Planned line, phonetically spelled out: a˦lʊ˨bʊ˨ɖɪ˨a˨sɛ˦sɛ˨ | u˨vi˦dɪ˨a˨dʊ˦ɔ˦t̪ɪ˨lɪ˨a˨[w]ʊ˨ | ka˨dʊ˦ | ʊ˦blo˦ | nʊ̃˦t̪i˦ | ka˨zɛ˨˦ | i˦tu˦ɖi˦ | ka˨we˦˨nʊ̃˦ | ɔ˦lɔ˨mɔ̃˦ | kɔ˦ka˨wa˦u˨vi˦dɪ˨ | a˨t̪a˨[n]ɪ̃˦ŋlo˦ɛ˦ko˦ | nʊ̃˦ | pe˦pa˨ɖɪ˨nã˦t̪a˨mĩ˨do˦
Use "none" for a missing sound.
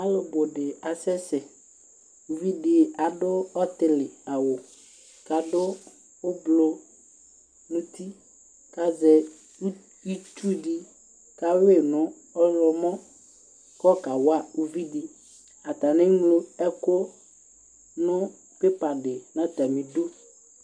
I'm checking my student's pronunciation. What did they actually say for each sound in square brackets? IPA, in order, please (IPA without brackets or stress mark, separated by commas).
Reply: w, n